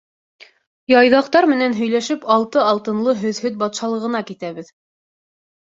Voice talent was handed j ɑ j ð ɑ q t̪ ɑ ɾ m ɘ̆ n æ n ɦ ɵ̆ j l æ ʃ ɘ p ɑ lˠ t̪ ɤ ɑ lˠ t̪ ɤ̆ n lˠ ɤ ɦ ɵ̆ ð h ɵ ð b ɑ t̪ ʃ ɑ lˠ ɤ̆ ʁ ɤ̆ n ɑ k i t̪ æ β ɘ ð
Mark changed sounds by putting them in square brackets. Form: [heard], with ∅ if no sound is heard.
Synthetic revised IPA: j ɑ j ð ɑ q t̪ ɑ ɾ m ɘ̆ n æ n ɦ ɵ̆ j l æ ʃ ɘ p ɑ lˠ t̪ ɤ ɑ lˠ t̪ ɤ̆ n lˠ ɤ ɦ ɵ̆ ð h ɵ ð b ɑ t̪ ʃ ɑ lˠ ɤ̆ ʁ ɤ̆ n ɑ k i t̪ æ β ɘ ð